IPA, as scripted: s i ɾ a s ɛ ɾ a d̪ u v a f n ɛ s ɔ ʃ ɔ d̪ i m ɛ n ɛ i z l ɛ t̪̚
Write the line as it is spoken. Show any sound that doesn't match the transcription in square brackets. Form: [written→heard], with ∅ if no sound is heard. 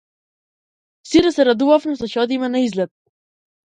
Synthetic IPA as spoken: s i ɾ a s ɛ ɾ a d̪ u v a f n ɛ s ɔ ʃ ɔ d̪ i m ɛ n [ɛ→a] i z l ɛ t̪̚

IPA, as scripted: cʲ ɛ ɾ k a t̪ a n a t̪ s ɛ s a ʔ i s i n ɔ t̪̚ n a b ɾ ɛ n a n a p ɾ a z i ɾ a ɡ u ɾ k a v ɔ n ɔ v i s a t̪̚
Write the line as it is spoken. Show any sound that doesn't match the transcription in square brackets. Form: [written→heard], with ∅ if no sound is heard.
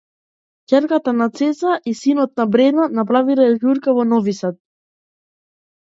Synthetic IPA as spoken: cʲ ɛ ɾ k a t̪ a n a t̪ s ɛ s a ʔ i s i n ɔ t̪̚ n a b ɾ ɛ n a n a p ɾ a [z→v] i ɾ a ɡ u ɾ k a v ɔ n ɔ v i s a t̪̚

